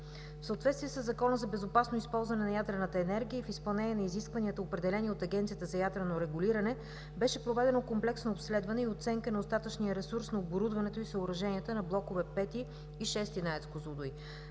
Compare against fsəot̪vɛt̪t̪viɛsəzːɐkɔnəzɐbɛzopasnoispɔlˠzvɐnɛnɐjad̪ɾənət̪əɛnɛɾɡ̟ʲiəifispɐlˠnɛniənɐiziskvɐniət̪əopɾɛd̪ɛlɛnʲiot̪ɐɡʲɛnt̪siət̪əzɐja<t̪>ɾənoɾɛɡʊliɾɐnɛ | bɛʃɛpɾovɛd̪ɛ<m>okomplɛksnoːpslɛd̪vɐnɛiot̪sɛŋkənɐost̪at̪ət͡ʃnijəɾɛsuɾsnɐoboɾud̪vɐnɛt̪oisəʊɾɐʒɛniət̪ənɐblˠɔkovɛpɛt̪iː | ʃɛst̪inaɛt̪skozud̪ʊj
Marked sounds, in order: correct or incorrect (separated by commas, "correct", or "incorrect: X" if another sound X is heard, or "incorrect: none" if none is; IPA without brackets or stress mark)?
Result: incorrect: d̪, incorrect: n